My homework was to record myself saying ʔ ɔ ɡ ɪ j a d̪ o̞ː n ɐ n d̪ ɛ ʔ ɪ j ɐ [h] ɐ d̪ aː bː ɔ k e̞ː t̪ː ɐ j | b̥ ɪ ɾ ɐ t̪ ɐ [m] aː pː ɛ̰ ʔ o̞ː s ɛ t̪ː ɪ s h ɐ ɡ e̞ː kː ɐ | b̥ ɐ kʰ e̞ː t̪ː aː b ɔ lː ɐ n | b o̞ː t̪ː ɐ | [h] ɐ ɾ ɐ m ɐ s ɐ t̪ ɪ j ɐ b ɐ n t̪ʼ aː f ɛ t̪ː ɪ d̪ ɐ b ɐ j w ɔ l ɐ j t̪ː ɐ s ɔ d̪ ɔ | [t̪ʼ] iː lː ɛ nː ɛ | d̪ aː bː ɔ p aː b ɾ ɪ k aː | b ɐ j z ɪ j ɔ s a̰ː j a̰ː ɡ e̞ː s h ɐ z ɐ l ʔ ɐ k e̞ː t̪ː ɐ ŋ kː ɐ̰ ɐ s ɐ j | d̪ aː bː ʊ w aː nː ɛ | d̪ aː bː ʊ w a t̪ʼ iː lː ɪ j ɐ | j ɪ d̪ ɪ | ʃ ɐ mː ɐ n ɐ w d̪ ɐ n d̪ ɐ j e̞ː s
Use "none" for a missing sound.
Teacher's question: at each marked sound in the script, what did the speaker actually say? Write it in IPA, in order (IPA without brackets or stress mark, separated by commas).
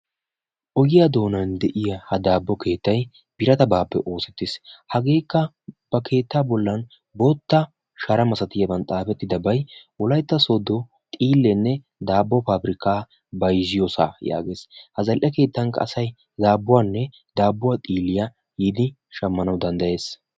h, b, ʃ, t̪ʼ